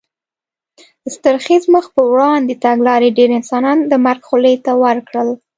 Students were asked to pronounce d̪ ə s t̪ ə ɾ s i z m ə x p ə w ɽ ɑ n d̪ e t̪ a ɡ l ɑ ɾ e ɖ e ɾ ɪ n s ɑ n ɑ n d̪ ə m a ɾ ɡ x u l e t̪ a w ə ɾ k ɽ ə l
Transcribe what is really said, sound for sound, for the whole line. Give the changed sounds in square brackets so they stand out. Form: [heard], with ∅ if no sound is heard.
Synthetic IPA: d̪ ə s t̪ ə ɾ [x] i z m ə x p ə w ɽ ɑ n d̪ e t̪ a ɡ l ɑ ɾ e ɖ e ɾ ɪ n s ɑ n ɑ n d̪ ə m a ɾ ɡ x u l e t̪ a w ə ɾ k ɽ ə l

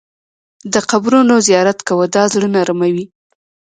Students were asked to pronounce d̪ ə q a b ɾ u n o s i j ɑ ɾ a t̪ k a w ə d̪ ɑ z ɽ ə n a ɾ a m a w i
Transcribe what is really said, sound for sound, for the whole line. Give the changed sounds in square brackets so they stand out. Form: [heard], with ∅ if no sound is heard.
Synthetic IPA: d̪ ə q a b ɾ u n o [z] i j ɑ ɾ a t̪ k a w ə d̪ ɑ z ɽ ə n a ɾ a m a w i

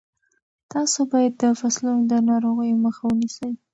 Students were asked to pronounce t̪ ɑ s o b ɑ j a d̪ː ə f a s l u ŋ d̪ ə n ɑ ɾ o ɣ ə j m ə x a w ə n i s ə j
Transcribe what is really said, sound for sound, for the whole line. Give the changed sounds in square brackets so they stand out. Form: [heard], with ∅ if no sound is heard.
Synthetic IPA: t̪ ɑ s o b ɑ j a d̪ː ə f a s l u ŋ d̪ ə n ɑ ɾ o ɣ ə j m ə x a w ə n i s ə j

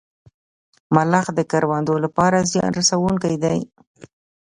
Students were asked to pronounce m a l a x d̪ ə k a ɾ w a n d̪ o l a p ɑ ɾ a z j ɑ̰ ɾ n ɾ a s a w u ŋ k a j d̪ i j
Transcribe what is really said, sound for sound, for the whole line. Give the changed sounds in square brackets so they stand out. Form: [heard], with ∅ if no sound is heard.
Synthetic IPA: m a l a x d̪ ə k a ɾ w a n d̪ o l a p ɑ ɾ a z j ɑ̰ [∅] n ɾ a s a w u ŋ k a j d̪ [a] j

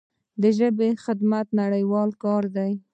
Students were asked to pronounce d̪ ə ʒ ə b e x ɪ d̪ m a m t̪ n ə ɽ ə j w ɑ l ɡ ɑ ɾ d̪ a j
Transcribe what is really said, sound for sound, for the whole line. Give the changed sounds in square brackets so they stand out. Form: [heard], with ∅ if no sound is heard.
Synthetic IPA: d̪ ə ʒ ə b e x ɪ d̪ m a [∅] t̪ n [a] ɽ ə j w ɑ l [k] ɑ ɾ d̪ a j

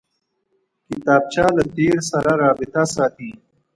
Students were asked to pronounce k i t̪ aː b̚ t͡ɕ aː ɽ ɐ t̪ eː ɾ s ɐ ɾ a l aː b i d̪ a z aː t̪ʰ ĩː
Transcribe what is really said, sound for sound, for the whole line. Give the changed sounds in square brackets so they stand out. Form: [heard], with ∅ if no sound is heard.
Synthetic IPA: k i t̪ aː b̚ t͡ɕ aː [l] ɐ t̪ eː ɾ s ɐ ɾ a [ɾ] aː b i [t̪] a [s] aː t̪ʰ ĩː

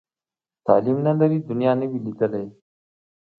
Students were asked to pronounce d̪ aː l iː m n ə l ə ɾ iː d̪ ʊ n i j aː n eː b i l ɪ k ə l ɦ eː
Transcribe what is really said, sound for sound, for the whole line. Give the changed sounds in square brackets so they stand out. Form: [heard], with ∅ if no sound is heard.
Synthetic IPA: [t̪] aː l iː m n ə l ə ɾ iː d̪ ʊ n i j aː n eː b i l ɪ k ə l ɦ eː

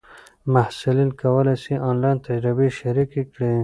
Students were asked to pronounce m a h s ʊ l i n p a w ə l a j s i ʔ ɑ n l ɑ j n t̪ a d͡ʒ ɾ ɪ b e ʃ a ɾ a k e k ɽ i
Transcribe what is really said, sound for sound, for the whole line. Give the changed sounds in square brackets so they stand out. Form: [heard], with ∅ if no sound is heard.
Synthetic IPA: m a h s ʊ l i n [k] a w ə l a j s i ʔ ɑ n l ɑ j n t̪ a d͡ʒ ɾ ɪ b e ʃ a ɾ [i] k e k ɽ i

